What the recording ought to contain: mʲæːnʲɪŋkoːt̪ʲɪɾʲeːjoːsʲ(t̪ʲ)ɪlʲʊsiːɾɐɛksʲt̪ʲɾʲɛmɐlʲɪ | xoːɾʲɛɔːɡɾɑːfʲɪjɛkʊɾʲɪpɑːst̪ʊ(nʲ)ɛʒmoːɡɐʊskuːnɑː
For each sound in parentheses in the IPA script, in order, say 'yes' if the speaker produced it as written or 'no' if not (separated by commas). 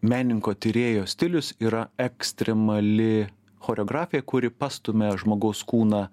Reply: yes, no